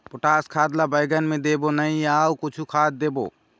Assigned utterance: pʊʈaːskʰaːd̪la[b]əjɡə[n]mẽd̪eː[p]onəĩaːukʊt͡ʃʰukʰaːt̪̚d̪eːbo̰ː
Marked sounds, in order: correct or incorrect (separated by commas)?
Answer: correct, correct, incorrect